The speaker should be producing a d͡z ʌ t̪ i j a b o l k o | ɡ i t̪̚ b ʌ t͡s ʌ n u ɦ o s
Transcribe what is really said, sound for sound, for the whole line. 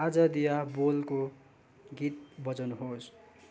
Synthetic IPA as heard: a d͡z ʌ d̪ i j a b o l k o | ɡ i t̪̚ b ʌ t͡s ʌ n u ɦ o s